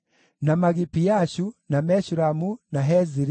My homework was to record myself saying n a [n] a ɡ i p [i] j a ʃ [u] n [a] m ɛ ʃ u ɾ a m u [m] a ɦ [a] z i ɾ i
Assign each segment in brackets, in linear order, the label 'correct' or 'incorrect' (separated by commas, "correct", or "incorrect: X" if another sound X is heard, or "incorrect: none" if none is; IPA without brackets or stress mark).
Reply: incorrect: m, correct, correct, correct, incorrect: n, incorrect: ɛ